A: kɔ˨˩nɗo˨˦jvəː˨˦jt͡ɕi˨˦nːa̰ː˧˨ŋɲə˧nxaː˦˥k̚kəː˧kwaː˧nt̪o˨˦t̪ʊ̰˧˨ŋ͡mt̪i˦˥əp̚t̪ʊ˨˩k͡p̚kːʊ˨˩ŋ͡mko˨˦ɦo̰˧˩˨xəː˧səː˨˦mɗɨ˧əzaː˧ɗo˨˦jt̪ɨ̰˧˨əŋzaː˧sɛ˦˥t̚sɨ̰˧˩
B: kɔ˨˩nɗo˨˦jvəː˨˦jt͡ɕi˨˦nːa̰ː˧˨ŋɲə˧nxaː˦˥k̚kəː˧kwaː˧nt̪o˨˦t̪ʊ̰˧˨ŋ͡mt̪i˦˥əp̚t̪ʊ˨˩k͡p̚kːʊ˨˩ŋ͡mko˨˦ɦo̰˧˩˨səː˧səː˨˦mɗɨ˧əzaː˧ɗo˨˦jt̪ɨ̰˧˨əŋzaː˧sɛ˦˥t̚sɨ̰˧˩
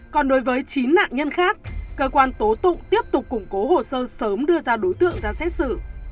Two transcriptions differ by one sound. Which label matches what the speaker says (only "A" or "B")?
B